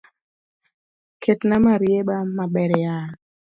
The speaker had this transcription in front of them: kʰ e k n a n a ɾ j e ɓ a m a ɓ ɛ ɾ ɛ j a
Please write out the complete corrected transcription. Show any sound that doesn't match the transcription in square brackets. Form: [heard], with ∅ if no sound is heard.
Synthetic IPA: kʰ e [t] n a [m] a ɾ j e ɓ a m a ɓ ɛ ɾ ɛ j a